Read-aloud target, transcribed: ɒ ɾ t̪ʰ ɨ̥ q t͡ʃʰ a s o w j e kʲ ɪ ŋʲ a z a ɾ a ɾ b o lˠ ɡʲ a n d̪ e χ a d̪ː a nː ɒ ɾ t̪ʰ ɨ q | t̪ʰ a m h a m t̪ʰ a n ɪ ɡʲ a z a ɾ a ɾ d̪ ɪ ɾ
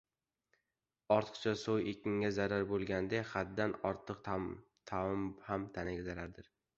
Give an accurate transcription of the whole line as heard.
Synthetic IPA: ɒ ɾ t̪ʰ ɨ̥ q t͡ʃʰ a s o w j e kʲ ɪ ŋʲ a z a ɾ a ɾ b o lˠ ɡʲ a n d̪ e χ a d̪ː a n ɒ ɾ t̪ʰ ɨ q | t̪ʰ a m h a m t̪ʰ a n ɪ ɡʲ a z a ɾ a ɾ d̪ ɪ ɾ